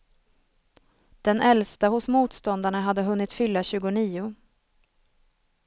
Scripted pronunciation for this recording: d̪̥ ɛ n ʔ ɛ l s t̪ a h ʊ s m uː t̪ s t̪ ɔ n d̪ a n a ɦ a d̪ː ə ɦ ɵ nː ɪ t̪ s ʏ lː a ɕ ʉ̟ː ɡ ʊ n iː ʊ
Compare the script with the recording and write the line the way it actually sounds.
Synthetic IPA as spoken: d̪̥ ɛ n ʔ ɛ l s t̪ a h ʊ s m uː t̪ s t̪ ɔ n d̪ a ɳ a ɦ a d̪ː ə ɦ ɵ nː ɪ t̪ f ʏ lː a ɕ ʉ̟ː ɡ ʊ n iː ʊ